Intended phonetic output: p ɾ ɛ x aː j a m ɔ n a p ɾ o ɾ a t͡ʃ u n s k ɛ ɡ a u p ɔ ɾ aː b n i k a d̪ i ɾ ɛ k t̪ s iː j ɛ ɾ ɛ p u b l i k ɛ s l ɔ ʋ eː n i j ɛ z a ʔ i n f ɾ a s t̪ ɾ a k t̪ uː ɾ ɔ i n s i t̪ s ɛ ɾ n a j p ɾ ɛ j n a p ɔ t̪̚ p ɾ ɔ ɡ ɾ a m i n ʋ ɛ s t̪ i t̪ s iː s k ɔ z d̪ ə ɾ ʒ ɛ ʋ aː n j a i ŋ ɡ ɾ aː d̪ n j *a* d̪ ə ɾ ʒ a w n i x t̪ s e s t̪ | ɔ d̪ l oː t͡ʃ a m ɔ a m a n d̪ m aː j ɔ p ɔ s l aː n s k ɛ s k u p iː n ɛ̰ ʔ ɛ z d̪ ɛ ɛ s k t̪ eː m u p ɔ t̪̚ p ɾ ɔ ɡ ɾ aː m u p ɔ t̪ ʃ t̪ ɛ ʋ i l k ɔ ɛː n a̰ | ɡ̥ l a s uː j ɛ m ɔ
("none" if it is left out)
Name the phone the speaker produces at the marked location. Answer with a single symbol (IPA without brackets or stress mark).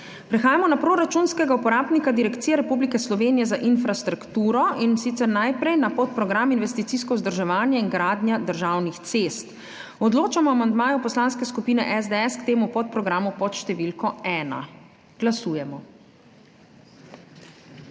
a